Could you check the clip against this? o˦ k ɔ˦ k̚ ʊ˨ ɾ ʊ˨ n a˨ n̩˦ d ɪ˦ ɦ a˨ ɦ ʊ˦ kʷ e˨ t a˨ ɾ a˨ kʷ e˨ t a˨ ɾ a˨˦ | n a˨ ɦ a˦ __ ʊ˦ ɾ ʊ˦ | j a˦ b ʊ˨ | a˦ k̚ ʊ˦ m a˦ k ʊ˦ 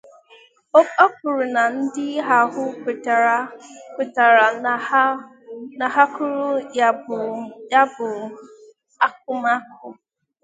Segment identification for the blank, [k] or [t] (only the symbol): k